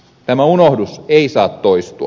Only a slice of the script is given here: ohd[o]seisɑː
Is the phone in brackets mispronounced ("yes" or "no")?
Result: yes